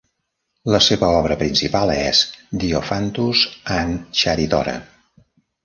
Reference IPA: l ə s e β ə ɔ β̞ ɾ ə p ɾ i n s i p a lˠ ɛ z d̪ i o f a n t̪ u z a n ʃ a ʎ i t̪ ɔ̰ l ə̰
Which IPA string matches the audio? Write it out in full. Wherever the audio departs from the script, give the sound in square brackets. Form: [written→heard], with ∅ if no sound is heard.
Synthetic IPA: l ə s e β ə ɔ β̞ ɾ ə p ɾ i n s i p a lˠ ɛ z d̪ i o f a n t̪ u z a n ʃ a [ʎ→ɾ] i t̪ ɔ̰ [l→ɾ] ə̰